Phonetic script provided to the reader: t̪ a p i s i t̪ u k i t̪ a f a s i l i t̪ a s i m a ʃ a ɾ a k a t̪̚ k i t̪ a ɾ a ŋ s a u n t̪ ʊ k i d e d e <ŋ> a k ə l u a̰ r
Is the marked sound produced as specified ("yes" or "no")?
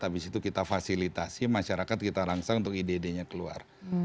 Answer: no